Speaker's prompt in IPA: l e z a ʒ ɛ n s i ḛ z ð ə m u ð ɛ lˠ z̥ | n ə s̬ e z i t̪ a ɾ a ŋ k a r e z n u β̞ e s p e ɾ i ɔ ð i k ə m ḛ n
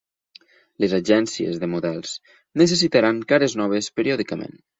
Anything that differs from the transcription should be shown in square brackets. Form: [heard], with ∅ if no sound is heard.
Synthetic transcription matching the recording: l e z a ʒ ɛ n s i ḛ z ð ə m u ð ɛ lˠ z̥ | n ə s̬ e [s] i t̪ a ɾ a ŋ k a [ɾ] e z n [ɔ] β̞ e s p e ɾ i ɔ ð i k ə m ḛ n